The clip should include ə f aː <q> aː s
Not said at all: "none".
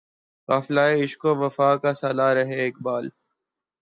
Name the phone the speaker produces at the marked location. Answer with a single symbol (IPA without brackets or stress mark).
k